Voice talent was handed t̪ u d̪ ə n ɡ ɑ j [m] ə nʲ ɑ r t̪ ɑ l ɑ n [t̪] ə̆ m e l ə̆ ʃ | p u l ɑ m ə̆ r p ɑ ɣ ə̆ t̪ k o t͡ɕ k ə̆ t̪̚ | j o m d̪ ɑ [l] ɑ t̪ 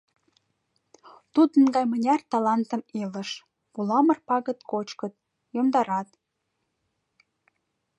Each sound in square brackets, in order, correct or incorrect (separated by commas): correct, correct, incorrect